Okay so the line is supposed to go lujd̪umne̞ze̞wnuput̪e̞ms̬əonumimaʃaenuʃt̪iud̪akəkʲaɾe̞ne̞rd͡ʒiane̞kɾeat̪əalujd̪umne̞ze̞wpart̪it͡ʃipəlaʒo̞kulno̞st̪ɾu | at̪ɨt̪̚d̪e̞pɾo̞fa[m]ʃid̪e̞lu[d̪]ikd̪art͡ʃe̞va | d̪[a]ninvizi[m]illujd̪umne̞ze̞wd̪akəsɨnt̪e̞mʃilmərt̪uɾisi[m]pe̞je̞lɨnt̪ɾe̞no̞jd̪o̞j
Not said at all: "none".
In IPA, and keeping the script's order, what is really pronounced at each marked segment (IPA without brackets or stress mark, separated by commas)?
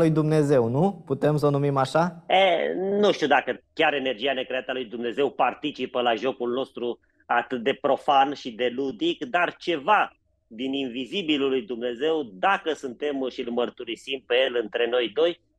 n, d̪, i, b, m